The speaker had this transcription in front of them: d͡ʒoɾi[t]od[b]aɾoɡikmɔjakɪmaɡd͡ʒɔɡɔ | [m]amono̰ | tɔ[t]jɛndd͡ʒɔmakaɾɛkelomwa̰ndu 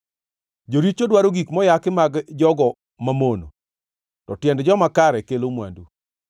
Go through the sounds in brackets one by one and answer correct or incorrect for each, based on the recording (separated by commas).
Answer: incorrect, incorrect, correct, correct